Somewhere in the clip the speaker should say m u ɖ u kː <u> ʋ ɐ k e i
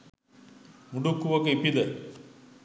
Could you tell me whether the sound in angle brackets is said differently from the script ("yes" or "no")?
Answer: no